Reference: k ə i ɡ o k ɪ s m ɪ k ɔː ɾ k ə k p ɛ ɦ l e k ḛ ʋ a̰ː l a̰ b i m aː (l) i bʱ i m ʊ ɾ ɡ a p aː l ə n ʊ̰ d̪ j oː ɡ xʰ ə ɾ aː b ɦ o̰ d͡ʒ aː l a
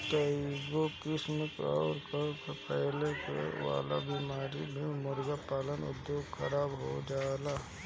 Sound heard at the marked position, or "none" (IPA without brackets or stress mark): ɾ